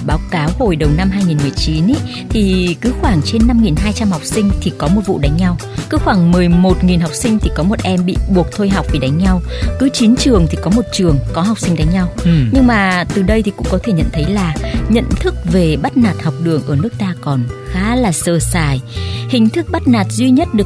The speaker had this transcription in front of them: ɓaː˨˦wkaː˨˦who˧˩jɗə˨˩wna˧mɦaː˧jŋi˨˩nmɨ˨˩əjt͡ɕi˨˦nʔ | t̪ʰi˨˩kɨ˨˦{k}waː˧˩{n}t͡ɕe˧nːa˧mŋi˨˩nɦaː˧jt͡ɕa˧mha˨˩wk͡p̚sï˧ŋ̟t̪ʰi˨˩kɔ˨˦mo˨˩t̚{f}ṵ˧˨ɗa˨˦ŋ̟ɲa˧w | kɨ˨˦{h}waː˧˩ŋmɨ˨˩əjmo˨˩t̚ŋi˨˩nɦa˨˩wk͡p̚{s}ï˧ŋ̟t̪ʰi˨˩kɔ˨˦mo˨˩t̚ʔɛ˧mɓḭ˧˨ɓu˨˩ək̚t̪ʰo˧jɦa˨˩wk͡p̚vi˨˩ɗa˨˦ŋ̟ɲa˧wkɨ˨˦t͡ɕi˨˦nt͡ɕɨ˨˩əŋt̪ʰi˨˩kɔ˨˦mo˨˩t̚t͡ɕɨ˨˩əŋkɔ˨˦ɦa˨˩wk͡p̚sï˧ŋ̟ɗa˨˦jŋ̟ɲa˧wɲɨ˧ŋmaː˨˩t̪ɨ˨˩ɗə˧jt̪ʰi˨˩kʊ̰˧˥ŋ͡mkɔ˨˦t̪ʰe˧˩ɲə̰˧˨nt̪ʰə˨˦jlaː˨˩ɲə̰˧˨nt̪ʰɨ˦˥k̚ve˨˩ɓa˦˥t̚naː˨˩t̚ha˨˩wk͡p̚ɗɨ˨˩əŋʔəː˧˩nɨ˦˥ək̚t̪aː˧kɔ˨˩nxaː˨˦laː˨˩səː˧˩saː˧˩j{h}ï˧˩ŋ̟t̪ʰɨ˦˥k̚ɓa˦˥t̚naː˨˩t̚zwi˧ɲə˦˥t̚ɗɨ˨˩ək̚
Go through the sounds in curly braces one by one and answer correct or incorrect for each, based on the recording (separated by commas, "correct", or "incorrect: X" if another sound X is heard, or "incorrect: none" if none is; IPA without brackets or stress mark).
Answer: incorrect: x, incorrect: ŋ, incorrect: v, incorrect: x, correct, correct